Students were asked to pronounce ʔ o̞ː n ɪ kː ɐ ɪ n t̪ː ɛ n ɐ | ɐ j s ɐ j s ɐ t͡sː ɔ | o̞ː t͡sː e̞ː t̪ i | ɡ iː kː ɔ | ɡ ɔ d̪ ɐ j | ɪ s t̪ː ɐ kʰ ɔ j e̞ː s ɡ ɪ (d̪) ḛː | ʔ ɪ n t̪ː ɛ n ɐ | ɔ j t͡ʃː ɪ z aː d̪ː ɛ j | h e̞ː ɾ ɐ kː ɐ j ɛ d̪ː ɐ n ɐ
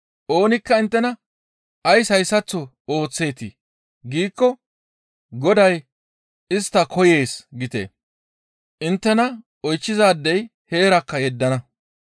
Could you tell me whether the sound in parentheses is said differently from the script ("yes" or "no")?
yes